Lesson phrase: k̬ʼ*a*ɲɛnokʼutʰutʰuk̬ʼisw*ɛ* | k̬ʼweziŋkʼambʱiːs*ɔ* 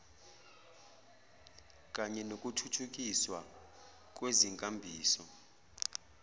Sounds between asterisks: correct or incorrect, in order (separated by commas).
correct, incorrect, correct